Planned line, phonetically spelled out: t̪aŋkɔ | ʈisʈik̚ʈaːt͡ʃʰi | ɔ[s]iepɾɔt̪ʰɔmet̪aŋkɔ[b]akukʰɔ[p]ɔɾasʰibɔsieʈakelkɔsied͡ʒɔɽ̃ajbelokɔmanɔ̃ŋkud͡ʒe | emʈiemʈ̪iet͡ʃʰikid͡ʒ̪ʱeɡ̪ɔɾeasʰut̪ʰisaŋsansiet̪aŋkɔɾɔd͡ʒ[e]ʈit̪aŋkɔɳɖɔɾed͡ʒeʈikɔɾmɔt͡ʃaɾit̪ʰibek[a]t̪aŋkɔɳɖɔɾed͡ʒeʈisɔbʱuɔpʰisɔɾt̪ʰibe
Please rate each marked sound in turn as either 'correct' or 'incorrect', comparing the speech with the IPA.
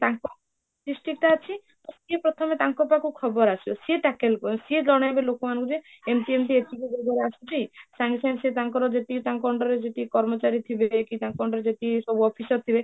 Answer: correct, incorrect, incorrect, correct, incorrect

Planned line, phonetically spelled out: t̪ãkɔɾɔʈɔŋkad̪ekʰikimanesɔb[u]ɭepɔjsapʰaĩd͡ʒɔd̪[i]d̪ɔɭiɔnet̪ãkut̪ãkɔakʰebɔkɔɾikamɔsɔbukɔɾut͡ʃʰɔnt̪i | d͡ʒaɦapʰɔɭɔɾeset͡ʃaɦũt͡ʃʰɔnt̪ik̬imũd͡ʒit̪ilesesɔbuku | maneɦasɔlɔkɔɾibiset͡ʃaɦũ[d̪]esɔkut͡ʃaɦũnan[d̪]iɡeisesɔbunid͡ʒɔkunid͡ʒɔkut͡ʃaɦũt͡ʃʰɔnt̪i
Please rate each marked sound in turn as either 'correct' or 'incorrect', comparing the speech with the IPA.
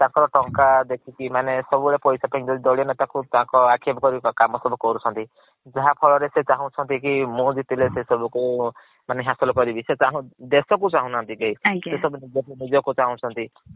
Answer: correct, correct, correct, incorrect

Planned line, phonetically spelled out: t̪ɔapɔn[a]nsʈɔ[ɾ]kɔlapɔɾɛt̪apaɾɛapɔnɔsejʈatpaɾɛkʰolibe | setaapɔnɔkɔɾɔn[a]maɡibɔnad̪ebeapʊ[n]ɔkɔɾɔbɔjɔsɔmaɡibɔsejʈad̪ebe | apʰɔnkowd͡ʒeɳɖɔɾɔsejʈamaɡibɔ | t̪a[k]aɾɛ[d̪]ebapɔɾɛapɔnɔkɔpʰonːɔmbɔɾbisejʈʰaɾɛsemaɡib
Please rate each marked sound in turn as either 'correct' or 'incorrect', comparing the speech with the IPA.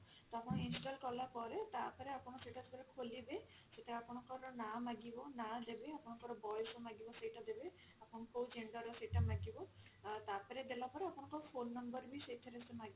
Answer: incorrect, incorrect, correct, correct, incorrect, correct

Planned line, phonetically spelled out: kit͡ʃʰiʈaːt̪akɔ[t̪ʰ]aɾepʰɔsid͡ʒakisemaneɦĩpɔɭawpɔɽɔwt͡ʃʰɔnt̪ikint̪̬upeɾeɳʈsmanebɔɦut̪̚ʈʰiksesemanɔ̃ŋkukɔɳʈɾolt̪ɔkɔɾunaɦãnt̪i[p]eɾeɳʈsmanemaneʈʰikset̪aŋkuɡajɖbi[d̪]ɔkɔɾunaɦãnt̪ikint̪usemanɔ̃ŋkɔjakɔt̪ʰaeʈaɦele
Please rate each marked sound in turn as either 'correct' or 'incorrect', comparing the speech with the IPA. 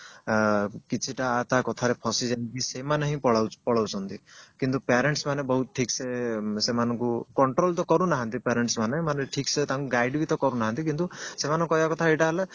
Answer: correct, correct, incorrect

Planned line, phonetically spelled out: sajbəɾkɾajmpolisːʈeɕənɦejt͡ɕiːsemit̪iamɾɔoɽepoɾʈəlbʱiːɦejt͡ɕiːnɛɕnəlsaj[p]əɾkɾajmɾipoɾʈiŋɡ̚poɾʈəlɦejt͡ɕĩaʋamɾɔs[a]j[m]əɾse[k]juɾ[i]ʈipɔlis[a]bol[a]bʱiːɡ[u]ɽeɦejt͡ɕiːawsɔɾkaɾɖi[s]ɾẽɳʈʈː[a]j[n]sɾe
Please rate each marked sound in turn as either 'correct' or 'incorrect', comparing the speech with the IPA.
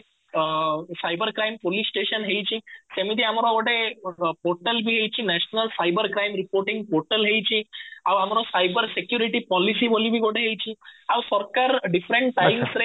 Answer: incorrect, correct, incorrect, correct, correct, incorrect, incorrect, incorrect, incorrect, correct, incorrect

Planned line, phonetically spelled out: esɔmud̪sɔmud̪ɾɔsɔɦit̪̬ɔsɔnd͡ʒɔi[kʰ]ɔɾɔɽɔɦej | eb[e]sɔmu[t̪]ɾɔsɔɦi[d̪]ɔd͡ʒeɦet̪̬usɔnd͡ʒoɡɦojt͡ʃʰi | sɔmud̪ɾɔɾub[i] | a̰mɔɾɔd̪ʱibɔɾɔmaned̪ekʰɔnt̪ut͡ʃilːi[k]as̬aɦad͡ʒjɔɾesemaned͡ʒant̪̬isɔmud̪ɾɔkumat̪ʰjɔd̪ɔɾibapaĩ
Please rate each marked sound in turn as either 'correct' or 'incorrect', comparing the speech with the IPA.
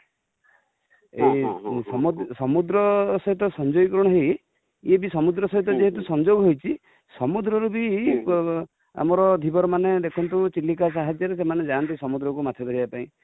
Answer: incorrect, incorrect, incorrect, incorrect, correct, correct

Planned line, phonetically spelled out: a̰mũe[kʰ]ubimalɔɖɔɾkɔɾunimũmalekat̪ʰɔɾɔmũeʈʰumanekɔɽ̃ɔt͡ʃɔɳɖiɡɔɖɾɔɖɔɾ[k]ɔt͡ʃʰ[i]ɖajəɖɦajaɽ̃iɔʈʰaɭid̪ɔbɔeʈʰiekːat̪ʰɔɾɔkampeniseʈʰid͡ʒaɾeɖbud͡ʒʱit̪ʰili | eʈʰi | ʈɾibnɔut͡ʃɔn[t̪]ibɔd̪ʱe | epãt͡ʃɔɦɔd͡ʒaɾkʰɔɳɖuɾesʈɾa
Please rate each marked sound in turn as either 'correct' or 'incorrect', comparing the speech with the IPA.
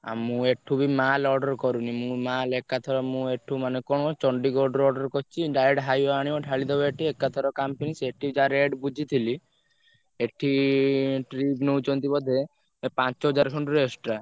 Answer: incorrect, correct, correct, correct

